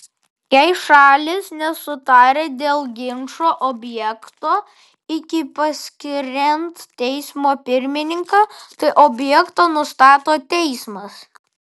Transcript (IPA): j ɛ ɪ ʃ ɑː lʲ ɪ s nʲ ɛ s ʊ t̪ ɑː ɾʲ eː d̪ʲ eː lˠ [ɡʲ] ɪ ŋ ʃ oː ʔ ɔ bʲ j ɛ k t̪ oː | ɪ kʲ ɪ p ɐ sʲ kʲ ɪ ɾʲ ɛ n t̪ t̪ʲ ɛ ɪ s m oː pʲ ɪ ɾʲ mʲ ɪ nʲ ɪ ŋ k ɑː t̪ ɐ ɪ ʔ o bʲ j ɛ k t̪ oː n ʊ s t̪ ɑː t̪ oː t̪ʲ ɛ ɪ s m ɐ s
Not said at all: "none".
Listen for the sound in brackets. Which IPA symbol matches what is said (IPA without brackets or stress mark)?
ɡʲ